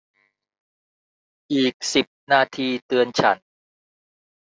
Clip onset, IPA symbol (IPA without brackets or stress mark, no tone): ʔ